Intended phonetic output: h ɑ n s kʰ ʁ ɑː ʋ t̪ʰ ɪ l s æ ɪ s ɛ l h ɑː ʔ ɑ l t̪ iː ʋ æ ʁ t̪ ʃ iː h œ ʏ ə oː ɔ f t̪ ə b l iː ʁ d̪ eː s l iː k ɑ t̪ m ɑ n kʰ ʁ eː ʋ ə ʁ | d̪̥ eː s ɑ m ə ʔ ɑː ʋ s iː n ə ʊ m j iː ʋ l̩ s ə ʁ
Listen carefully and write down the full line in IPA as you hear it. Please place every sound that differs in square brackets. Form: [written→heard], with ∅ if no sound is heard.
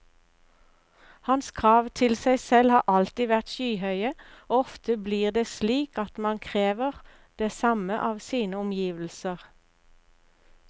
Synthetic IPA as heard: h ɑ n s kʰ ʁ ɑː ʋ t̪ʰ ɪ l s æ ɪ s ɛ l h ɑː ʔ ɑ l t̪ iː ʋ æ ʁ t̪ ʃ [iː→yː] h œ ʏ ə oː ɔ f t̪ ə b l iː ʁ d̪ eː s l iː k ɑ t̪ m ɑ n kʰ ʁ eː ʋ ə ʁ | d̪̥ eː s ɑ m ə ʔ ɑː ʋ s iː n ə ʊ m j iː ʋ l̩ s ə ʁ

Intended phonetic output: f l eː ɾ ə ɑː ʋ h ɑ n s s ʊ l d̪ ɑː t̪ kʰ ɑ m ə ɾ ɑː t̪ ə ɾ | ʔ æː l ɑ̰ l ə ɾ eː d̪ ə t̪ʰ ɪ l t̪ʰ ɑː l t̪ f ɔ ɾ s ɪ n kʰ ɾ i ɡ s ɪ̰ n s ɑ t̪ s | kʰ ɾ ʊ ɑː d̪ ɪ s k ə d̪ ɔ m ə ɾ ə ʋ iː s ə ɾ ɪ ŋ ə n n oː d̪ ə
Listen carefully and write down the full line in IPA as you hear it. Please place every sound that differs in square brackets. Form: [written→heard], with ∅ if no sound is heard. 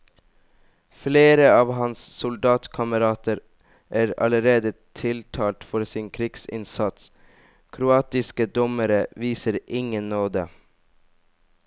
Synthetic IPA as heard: f l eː ɾ ə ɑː ʋ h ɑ n s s ʊ l d̪ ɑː t̪ kʰ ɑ m ə ɾ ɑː t̪ ə ɾ | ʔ æː [l→ɾ] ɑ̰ l ə ɾ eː d̪ ə t̪ʰ ɪ l t̪ʰ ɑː l t̪ f ɔ ɾ s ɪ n kʰ ɾ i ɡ s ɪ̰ n s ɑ t̪ s | kʰ ɾ ʊ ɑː [d̪→t̪] ɪ s k ə d̪ ɔ m ə ɾ ə ʋ iː s ə ɾ ɪ ŋ ə n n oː d̪ ə

